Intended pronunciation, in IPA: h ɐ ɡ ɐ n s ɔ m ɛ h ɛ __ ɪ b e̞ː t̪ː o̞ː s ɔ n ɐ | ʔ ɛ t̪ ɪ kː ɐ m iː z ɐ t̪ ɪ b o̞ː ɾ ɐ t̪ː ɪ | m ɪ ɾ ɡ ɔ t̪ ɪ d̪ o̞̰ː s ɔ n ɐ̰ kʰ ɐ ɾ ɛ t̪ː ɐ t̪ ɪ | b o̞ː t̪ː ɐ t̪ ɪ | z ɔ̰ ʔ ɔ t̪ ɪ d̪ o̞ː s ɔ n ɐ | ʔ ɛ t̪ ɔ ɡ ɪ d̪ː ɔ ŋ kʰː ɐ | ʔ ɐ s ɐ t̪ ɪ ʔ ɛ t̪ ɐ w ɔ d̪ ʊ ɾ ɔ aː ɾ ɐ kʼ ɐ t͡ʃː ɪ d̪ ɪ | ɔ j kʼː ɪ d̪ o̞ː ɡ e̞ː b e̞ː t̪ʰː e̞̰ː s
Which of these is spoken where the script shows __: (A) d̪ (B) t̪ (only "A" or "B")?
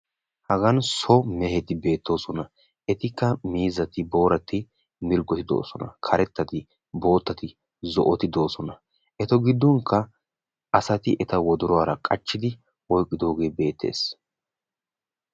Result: B